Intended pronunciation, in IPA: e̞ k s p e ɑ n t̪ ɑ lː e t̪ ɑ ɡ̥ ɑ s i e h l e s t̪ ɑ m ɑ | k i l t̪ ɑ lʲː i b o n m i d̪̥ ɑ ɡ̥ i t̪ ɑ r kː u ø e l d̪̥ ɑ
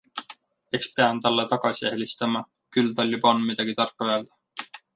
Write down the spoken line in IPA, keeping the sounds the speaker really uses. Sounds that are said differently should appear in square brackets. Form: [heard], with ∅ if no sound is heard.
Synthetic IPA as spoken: e̞ k s p e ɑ n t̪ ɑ lː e t̪ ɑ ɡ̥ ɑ s i e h l [i] s t̪ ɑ m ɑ | k [y] l t̪ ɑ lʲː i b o n m i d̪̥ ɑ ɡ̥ i t̪ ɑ r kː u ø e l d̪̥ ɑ